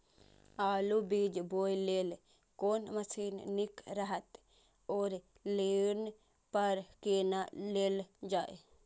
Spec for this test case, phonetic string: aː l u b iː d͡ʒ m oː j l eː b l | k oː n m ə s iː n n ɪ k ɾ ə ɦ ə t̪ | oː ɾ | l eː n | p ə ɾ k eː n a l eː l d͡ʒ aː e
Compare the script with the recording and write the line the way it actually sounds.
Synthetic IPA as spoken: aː l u b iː d͡ʒ b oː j l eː l | k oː n m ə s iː n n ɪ k ɾ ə ɦ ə t̪ | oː ɾ | l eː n | p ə ɾ k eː n a l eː l d͡ʒ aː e